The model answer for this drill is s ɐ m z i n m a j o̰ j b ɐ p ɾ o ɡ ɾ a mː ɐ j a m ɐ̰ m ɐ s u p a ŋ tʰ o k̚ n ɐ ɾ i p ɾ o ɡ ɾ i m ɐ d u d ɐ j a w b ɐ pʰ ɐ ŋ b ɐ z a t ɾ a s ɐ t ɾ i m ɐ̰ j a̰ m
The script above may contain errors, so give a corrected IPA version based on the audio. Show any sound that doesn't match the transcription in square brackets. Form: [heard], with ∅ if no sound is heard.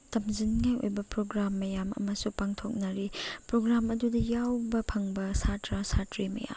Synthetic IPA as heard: [t] ɐ m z i n [ŋ] a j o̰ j b ɐ p ɾ o ɡ ɾ a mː ɐ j a m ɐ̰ m ɐ s u p a ŋ tʰ o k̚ n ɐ ɾ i p ɾ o ɡ ɾ [a] m ɐ d u d ɐ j a w b ɐ pʰ ɐ ŋ b ɐ [s] a t ɾ a s [a] t ɾ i m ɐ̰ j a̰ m